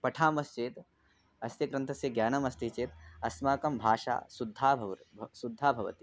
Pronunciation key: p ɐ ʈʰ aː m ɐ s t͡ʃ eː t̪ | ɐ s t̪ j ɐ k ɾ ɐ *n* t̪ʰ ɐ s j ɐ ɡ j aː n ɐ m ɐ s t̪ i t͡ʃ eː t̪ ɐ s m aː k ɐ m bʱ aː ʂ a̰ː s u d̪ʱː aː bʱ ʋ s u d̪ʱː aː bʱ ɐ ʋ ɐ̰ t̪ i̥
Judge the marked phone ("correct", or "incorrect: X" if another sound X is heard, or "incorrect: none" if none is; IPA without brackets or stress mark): correct